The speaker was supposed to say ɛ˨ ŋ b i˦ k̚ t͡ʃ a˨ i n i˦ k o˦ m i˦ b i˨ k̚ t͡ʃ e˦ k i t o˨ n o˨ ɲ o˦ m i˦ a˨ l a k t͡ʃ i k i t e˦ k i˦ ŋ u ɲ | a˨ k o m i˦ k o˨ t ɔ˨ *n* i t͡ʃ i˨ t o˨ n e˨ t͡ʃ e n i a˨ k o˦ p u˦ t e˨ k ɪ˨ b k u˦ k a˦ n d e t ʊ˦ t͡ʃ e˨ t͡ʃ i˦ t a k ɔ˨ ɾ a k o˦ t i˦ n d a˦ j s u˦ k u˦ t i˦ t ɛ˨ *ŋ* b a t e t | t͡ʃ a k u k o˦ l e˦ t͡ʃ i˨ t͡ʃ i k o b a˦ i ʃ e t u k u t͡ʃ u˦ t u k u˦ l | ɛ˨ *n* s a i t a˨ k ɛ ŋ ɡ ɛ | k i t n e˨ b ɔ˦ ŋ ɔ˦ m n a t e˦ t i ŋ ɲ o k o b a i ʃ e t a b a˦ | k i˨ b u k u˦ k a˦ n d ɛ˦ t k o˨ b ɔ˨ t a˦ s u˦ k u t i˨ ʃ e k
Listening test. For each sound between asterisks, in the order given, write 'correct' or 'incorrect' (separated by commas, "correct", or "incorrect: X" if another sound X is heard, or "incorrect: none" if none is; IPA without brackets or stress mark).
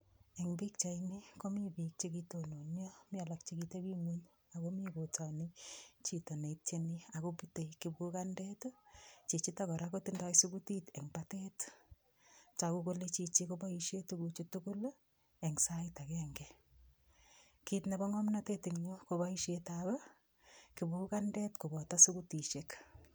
correct, correct, incorrect: ŋ